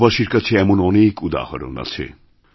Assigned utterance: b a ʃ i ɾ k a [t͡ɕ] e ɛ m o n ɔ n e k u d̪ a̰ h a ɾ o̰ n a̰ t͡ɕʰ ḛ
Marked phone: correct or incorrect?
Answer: incorrect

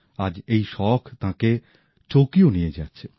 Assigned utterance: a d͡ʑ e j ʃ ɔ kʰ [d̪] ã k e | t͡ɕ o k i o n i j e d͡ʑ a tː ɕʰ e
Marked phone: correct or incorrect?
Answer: incorrect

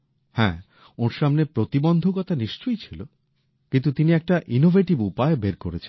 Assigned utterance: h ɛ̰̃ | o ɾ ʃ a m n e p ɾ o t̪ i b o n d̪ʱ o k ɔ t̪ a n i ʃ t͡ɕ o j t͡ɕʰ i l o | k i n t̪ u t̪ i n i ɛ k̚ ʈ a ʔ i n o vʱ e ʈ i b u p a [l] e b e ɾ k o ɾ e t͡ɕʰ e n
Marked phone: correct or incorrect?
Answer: incorrect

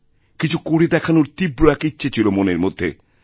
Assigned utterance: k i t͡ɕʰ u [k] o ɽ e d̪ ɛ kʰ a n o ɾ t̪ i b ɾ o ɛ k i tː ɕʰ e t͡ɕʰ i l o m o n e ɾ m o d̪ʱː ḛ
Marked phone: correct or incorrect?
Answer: correct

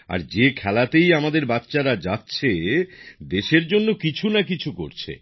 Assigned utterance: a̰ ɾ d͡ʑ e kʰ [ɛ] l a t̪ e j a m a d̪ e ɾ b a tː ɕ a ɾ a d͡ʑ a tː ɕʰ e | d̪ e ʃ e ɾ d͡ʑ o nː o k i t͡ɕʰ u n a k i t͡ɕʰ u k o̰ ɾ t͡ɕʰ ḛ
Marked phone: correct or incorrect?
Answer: correct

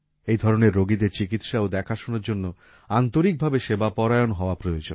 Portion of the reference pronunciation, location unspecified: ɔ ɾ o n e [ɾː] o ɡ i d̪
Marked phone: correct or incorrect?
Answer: correct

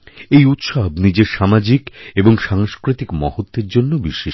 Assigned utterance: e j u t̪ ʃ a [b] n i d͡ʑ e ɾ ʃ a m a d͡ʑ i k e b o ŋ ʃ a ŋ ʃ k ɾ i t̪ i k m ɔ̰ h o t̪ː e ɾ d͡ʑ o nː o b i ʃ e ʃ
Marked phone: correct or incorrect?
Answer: correct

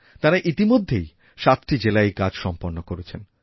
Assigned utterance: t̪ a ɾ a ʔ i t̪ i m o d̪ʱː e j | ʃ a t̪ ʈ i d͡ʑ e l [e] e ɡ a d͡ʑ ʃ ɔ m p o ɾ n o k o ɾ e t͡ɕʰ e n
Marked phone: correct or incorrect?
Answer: incorrect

